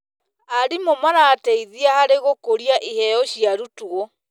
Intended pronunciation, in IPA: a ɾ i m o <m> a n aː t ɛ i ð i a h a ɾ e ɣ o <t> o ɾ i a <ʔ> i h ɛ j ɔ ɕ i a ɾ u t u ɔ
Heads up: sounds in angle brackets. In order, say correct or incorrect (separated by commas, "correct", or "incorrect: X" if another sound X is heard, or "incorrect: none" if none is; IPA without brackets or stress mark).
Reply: correct, incorrect: k, correct